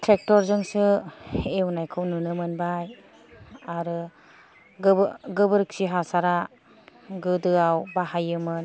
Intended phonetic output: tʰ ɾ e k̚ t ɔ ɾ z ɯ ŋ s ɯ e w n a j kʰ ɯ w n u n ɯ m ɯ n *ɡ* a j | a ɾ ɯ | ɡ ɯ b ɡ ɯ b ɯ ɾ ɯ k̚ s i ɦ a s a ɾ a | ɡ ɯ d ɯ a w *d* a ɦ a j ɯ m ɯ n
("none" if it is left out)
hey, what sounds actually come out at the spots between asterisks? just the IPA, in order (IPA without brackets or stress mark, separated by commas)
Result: b, b